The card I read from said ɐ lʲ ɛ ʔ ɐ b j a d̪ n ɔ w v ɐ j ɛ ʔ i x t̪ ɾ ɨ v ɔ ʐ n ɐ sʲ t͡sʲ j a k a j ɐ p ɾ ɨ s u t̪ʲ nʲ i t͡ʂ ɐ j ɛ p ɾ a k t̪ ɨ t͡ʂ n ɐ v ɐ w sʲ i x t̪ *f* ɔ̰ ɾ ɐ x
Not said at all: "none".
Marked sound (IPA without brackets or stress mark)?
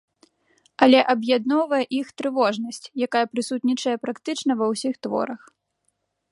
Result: v